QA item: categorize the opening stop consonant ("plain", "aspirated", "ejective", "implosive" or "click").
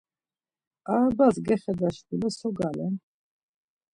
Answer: plain